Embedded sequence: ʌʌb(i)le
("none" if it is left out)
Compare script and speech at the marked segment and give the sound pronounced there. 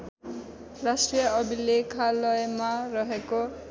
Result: i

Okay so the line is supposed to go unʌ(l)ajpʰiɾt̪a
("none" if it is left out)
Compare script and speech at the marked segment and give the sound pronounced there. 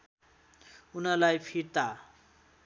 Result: l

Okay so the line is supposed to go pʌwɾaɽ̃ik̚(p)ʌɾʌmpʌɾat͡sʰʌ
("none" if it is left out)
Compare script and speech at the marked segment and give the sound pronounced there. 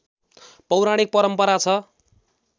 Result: p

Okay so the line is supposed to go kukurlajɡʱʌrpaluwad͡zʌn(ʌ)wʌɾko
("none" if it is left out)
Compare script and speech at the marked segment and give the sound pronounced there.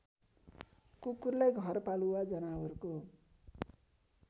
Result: a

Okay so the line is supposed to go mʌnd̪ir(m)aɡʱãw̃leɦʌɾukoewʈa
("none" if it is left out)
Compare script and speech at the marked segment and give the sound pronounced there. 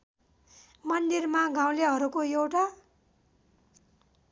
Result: m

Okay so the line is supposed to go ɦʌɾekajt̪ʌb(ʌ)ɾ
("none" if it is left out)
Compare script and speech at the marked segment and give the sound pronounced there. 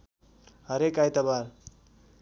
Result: a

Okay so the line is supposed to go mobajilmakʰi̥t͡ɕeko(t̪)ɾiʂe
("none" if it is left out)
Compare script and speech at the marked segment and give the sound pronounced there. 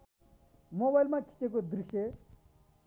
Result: d̪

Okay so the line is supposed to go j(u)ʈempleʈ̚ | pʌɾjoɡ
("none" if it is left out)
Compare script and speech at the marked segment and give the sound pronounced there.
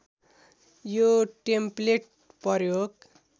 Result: o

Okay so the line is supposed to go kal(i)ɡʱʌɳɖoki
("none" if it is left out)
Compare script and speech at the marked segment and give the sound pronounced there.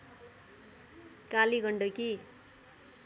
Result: i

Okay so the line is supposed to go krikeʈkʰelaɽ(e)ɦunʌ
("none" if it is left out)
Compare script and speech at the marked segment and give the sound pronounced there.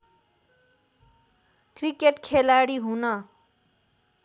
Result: i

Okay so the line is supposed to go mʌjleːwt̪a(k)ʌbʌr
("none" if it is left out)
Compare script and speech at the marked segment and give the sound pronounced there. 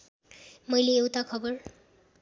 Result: kʰ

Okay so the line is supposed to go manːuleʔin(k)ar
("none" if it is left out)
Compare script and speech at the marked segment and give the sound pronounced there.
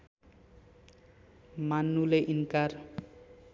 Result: k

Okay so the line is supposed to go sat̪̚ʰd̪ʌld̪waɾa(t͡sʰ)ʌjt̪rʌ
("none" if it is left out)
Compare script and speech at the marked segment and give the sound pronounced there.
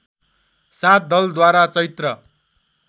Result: t͡s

